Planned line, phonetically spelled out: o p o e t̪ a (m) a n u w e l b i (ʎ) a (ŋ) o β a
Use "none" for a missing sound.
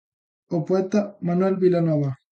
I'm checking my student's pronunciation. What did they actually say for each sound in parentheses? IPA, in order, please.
m, l, n

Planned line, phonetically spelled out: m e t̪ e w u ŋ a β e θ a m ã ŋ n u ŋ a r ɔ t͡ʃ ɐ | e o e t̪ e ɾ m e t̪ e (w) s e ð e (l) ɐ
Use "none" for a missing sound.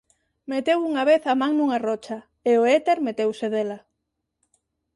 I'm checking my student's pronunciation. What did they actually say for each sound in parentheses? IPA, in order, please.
w, l

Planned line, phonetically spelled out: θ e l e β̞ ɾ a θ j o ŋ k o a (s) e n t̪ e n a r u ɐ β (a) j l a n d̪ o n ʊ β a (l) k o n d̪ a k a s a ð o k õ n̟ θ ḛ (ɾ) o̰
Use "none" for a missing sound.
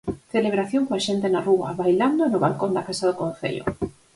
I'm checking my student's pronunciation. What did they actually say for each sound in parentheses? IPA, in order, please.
ʃ, a, l, ʎ

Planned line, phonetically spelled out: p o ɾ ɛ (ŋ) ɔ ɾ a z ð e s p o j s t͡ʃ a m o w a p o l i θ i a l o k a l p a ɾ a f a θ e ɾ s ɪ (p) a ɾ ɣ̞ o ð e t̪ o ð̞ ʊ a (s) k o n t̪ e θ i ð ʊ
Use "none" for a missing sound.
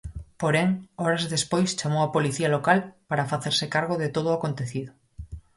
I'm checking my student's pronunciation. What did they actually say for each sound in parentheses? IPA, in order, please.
ŋ, k, none

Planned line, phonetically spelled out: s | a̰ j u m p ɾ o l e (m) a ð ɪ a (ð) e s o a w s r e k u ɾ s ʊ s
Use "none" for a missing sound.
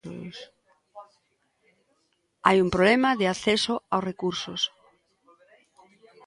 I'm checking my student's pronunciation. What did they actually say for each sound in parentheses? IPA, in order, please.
m, θ

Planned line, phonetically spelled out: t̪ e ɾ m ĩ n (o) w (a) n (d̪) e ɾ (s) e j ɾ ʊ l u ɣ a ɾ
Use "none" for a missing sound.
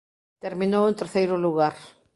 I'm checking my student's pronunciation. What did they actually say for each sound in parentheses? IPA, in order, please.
o, e, t̪, θ

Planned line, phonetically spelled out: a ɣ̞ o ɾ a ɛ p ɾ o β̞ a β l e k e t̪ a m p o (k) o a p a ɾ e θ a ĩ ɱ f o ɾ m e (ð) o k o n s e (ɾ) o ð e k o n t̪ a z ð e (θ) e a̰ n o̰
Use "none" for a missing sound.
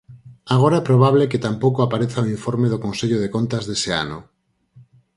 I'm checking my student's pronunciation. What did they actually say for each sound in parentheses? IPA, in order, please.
k, ð, ʎ, s

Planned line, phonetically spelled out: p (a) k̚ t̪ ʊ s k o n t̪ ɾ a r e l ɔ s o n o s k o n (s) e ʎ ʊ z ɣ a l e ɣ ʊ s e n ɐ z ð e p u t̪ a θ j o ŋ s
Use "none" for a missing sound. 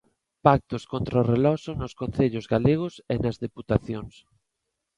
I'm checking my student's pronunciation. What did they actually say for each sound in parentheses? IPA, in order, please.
a, θ

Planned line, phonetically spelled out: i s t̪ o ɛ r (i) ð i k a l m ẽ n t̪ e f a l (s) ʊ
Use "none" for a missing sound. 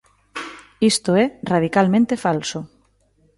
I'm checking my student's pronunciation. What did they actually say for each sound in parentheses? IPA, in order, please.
a, s

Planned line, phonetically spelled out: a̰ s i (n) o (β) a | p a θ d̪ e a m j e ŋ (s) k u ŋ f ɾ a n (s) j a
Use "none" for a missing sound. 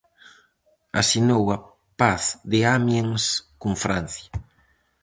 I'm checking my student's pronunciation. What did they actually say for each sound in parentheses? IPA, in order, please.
n, w, s, θ

